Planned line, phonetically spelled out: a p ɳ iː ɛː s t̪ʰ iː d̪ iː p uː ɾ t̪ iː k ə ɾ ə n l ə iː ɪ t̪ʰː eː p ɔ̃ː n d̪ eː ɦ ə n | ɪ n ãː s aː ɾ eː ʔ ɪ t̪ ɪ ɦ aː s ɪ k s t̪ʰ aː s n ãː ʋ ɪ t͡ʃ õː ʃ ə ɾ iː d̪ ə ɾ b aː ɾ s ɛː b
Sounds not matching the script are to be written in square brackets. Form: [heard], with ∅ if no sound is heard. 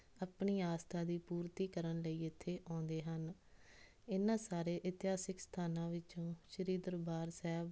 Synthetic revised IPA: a p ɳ iː [aː] s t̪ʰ [aː] d̪ iː p uː ɾ t̪ iː k ə ɾ ə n l ə iː ɪ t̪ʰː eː [ʔ] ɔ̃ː n d̪ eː ɦ ə n | ɪ n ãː s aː ɾ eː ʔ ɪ t̪ ɪ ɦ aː s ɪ k s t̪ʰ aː [∅] n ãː ʋ ɪ t͡ʃ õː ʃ ə ɾ iː d̪ ə ɾ b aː ɾ s ɛː b